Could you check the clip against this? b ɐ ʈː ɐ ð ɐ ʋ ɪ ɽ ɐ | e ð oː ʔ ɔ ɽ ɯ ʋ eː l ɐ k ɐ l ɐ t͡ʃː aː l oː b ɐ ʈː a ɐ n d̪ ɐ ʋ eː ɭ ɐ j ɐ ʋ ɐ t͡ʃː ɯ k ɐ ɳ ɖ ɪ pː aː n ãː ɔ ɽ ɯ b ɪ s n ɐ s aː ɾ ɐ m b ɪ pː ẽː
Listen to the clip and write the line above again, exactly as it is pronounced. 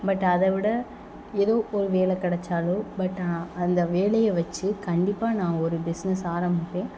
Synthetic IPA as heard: b ɐ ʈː ɐ ð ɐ ʋ ɪ ɽ ɐ | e ð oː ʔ ɔ ɾ ɯ ʋ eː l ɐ k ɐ ɽ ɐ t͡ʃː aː l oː b ɐ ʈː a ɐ n d̪ ɐ ʋ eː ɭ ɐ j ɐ ʋ ɐ t͡ʃː ɯ k ɐ ɳ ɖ ɪ pː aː n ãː ɔ ɾ ɯ b ɪ s n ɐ s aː ɾ ɐ m b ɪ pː ẽː